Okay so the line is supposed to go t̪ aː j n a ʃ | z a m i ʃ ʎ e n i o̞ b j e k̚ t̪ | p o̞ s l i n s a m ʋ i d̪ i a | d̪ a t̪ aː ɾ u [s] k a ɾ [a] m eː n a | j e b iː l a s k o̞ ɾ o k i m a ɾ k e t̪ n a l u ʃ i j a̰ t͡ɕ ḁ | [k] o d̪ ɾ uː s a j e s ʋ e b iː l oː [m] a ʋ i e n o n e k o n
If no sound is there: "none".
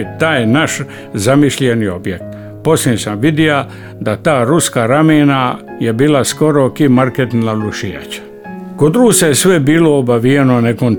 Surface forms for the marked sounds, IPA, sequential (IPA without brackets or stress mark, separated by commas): s, a, k, b